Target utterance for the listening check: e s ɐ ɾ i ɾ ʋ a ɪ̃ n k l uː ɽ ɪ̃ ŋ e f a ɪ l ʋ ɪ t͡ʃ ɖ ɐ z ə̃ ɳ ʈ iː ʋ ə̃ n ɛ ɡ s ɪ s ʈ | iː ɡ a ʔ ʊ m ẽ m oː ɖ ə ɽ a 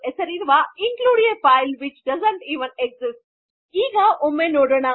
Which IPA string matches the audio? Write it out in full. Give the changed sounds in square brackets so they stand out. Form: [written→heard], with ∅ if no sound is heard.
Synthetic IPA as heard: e s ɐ ɾ i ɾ ʋ a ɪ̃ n k l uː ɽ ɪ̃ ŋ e f a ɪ l ʋ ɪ t͡ʃ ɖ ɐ z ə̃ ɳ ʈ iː ʋ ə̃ n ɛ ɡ [s→z] ɪ s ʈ | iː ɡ a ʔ ʊ m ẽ [m→n] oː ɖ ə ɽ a